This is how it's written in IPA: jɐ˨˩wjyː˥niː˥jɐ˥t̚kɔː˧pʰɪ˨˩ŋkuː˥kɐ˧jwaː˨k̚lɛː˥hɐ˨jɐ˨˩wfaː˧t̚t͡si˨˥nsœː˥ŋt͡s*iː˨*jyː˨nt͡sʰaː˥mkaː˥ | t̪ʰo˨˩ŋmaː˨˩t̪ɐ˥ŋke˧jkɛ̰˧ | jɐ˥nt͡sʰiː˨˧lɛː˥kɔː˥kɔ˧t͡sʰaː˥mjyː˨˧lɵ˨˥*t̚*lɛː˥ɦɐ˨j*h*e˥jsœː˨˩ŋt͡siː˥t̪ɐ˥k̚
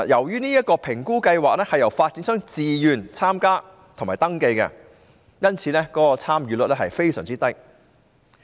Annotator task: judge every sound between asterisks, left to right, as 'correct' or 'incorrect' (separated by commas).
correct, correct, incorrect